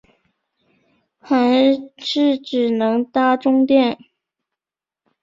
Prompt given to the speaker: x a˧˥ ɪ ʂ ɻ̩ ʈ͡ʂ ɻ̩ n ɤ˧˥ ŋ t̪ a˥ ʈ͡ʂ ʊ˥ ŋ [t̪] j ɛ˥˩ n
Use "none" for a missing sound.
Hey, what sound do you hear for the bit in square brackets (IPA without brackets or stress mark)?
t̪